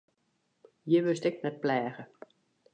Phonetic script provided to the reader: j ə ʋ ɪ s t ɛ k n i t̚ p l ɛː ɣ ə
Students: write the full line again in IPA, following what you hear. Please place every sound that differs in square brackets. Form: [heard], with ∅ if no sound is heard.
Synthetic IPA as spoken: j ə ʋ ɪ s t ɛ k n [ɛ] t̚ p l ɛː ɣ ə